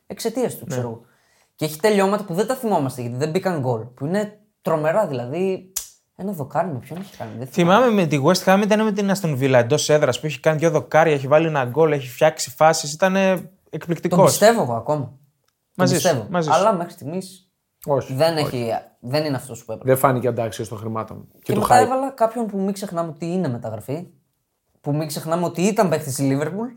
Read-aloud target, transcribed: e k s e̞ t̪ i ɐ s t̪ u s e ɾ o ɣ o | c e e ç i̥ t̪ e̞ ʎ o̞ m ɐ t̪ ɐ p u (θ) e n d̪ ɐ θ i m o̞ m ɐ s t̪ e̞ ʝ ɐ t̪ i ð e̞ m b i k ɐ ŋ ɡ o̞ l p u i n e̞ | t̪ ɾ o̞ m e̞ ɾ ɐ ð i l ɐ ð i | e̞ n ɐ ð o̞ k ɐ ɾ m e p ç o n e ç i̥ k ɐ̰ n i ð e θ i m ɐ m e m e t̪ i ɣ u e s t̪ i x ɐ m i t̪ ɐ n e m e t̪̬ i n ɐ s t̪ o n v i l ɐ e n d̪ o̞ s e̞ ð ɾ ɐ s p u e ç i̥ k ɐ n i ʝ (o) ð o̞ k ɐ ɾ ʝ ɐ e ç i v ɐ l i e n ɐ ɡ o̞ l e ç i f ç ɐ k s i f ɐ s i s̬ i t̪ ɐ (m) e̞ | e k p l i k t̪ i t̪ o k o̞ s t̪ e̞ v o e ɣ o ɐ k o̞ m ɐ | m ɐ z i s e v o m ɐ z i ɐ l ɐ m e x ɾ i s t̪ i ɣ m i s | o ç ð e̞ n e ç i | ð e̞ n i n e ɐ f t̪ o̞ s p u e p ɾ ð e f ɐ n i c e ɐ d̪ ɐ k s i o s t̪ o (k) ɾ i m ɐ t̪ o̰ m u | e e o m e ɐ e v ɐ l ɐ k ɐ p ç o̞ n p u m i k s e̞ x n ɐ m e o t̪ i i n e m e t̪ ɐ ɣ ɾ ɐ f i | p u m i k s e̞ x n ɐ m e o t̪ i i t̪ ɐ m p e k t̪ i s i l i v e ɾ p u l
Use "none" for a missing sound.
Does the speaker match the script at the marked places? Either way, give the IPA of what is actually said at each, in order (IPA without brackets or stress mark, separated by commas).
ð, o, n, x